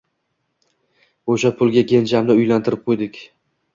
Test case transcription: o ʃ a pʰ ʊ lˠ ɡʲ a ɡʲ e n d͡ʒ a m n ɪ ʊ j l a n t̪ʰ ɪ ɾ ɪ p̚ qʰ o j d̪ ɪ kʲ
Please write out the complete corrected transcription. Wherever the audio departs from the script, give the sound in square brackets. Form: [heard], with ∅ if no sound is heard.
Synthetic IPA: o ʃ a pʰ ʊ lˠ ɡʲ a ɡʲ e n d͡ʒ a m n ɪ ʊ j l a n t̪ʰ ɪ ɾ ɪ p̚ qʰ o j d̪ ɪ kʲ